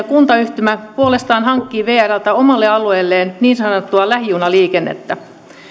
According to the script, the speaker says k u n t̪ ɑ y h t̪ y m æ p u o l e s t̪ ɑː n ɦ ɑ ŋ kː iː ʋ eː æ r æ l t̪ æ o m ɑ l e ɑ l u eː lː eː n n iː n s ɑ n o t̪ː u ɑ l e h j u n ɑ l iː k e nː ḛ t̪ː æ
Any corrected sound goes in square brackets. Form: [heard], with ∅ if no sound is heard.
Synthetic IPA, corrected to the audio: k u n t̪ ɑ y h t̪ y m æ p u o l e s t̪ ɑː n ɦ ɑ ŋ kː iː ʋ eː æ r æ l t̪ æ o m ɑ [lː] e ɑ l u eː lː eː n n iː n s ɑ n o t̪ː u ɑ l [æ] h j u n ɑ l iː k e nː ḛ t̪ː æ